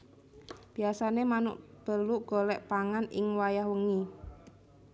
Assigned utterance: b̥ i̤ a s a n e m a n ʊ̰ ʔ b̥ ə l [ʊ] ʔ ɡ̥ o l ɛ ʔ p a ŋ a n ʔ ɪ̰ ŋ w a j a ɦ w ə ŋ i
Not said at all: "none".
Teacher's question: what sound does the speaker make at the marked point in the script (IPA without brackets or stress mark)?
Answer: u